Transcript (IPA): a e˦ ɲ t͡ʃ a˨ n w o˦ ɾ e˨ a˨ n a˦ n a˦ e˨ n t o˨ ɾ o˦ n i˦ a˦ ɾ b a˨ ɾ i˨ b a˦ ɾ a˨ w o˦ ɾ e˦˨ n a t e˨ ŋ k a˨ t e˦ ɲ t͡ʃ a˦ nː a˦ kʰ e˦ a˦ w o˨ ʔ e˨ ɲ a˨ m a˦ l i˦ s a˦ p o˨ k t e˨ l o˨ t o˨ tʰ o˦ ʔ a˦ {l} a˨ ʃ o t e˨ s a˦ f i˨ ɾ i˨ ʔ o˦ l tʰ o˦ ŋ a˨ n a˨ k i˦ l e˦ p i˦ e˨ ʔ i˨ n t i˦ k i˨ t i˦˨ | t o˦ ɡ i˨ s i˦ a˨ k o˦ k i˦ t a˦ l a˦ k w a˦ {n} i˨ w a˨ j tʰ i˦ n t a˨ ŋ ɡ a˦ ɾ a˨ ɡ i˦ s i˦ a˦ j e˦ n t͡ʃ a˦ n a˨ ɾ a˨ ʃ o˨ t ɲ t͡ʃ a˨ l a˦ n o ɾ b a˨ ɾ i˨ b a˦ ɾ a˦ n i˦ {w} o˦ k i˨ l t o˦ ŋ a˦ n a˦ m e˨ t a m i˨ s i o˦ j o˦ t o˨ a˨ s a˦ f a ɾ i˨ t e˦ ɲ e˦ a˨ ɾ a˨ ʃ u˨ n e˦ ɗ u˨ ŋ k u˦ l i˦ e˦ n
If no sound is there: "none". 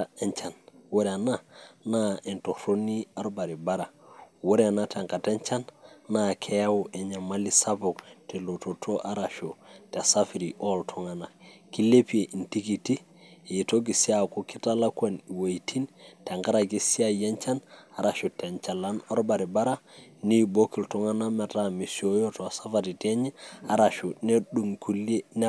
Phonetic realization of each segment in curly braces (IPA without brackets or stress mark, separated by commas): ɾ, n, b